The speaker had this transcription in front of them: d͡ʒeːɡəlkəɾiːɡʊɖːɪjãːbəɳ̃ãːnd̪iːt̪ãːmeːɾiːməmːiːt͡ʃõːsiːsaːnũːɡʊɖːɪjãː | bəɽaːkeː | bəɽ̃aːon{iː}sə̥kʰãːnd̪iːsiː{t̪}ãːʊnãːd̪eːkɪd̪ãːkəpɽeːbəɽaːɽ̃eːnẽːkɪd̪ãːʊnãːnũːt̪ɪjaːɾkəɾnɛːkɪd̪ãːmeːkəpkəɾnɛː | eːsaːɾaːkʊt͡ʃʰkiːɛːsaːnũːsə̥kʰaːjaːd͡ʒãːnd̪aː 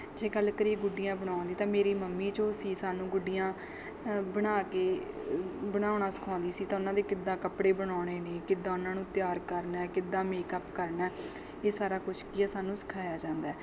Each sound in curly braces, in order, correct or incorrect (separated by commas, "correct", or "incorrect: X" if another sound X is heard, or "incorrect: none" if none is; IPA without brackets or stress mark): incorrect: aː, correct